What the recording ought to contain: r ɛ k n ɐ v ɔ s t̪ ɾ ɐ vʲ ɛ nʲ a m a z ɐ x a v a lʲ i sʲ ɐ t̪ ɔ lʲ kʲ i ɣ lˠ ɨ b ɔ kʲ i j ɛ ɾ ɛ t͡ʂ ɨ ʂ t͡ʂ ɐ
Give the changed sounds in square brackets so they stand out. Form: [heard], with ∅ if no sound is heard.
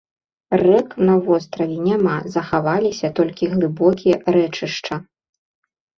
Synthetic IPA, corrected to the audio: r ɛ k n ɐ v ɔ s t̪ ɾ ɐ vʲ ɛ nʲ a m a z ɐ x a v a lʲ i sʲ ɐ t̪ ɔ lʲ kʲ i ɣ lˠ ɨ b ɔ kʲ i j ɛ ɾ ɛ t͡ʂ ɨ ʂ t͡ʂ ɐ